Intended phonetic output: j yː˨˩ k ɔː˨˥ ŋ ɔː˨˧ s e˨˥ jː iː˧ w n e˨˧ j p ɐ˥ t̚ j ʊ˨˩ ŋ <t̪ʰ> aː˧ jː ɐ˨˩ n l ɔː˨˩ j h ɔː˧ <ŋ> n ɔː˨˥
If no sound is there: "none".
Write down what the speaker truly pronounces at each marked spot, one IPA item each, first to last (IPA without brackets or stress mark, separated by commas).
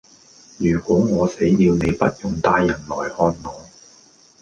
t̪, n